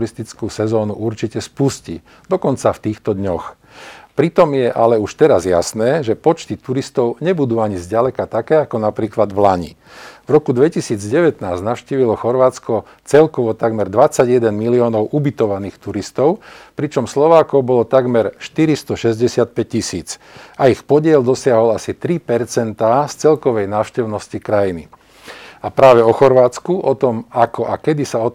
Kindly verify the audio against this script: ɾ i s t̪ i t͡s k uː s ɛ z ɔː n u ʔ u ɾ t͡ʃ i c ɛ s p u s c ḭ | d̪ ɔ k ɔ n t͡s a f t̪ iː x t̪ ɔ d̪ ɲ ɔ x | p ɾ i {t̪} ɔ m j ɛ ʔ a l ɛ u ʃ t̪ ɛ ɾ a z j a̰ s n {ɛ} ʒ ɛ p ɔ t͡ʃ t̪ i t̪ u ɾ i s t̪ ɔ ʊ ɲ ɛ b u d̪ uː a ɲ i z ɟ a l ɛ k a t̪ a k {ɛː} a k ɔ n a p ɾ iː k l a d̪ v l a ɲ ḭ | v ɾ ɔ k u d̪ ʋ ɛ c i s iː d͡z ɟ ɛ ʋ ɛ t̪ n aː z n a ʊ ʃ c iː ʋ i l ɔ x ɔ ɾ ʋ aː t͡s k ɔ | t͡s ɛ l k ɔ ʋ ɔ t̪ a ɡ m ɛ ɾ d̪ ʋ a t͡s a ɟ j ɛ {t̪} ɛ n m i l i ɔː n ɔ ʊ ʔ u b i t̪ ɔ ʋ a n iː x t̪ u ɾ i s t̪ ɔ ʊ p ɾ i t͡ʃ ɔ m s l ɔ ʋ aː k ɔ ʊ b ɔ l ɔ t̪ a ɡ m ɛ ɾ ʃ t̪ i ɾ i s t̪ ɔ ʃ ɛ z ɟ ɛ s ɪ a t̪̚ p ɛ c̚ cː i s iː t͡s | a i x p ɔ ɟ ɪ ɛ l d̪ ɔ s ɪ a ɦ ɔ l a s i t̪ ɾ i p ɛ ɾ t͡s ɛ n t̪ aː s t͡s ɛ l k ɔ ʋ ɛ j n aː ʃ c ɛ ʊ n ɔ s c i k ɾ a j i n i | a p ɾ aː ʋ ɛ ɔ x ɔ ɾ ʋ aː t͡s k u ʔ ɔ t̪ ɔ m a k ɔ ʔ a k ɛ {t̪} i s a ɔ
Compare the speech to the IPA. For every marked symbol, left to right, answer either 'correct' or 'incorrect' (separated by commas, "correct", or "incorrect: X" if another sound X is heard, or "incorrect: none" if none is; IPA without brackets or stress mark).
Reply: correct, incorrect: ɛː, correct, incorrect: d̪, incorrect: d̪